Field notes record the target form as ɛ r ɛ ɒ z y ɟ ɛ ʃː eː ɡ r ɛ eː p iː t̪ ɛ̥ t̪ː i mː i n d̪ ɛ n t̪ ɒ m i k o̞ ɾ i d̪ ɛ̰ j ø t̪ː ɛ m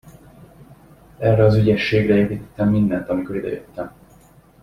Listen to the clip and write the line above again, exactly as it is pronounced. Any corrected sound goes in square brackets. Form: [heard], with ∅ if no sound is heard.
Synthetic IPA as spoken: ɛ r ɛ ɒ z y ɟ ɛ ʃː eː ɡ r ɛ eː p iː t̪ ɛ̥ t̪ː [ɛ] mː i n d̪ ɛ n t̪ ɒ m i k o̞ ɾ i d̪ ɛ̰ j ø t̪ː ɛ m

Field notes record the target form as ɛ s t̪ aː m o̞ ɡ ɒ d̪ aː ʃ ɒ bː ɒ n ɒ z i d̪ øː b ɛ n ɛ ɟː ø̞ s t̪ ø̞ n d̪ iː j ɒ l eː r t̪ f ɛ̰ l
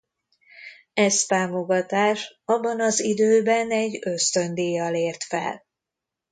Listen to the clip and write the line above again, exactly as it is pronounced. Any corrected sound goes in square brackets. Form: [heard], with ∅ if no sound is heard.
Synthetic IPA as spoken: ɛ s t̪ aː m o̞ ɡ ɒ [t̪] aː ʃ ɒ bː ɒ n ɒ z i d̪ øː b ɛ n ɛ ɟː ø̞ s t̪ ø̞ n d̪ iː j ɒ l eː r t̪ f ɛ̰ l

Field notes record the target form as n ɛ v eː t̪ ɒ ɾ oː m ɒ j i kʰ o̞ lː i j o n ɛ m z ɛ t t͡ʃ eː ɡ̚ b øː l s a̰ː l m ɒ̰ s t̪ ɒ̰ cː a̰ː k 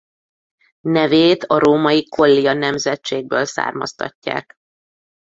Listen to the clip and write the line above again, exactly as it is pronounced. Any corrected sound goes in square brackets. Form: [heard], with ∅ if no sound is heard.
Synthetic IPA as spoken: n ɛ v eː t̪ ɒ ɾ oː m ɒ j i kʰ o̞ lː i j [ɒ] n ɛ m z ɛ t t͡ʃ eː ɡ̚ b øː l s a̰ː [r] m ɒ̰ s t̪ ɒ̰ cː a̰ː k

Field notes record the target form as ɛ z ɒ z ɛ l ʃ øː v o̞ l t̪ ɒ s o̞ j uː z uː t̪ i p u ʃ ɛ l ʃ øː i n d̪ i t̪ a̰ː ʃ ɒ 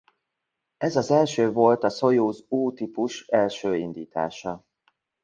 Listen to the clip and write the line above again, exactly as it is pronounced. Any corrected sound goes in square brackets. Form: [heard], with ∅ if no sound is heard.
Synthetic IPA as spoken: ɛ z ɒ z ɛ l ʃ øː v o̞ l t̪ ɒ s o̞ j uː z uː t̪ i p u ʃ ɛ l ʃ øː i n d̪ [iː] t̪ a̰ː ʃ ɒ

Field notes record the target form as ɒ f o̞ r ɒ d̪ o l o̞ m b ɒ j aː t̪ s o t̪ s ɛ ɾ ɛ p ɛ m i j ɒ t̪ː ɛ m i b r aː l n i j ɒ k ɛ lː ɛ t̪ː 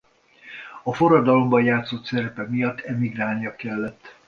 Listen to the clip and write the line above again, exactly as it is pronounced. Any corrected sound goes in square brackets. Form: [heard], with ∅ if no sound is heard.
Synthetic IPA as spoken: ɒ f o̞ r ɒ d̪ [ɒ] l o̞ m b ɒ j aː t̪ s o t̪ s ɛ ɾ ɛ p ɛ m i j ɒ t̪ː ɛ m i [ɡ] r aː l n i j ɒ k ɛ lː ɛ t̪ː

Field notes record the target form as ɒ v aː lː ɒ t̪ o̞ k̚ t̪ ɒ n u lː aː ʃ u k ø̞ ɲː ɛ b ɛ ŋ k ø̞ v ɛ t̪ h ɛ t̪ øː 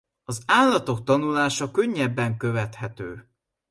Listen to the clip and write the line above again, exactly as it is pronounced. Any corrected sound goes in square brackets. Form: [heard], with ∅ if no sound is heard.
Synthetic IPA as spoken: ɒ [z] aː lː ɒ t̪ o̞ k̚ t̪ ɒ n u [l] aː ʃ [ɒ] k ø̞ ɲː ɛ [bː] ɛ ŋ k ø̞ v ɛ t̪ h ɛ t̪ øː

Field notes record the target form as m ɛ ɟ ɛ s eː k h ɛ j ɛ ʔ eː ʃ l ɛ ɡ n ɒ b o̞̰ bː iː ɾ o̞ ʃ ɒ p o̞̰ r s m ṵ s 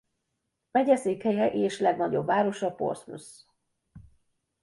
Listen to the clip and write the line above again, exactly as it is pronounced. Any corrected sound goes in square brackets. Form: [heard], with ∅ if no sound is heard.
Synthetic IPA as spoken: m ɛ ɟ ɛ s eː k h ɛ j ɛ ʔ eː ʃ l ɛ ɡ n ɒ [ɟ] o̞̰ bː [aː] ɾ o̞ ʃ ɒ p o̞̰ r s m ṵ s

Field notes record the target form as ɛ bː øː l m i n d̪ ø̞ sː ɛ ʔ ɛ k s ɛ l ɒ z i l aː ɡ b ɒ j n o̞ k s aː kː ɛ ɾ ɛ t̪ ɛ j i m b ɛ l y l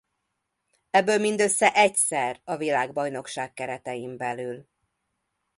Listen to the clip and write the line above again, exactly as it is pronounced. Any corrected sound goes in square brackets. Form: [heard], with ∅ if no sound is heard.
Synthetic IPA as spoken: ɛ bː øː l m i n d̪ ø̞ sː ɛ ʔ ɛ [c] s ɛ [r] ɒ [v] i l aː ɡ b ɒ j n o̞ k [ʃ] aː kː ɛ ɾ ɛ t̪ ɛ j i m b ɛ l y l

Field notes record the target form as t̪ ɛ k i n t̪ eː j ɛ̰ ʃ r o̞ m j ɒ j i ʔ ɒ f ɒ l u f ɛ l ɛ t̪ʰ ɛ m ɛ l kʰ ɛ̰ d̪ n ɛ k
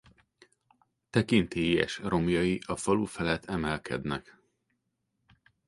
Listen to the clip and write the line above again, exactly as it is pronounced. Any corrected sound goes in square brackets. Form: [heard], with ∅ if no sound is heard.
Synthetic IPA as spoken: t̪ ɛ k i n t̪ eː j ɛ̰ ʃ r o̞ m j ɒ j i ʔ ɒ f ɒ l u f ɛ l ɛ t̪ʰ ɛ m ɛ l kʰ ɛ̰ d̪ n ɛ k

